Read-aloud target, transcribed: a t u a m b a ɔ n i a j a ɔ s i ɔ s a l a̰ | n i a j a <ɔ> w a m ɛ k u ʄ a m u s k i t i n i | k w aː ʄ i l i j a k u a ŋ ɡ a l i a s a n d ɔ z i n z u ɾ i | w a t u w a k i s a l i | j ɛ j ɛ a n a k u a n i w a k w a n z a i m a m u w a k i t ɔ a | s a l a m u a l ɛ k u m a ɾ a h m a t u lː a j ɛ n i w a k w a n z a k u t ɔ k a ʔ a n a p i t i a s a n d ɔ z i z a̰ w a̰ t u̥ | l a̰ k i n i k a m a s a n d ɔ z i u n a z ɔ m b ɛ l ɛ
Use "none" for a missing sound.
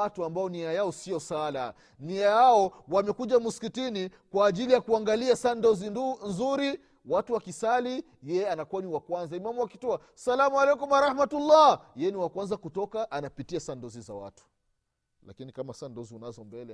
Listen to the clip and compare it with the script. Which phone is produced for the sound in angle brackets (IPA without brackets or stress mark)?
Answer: ɔ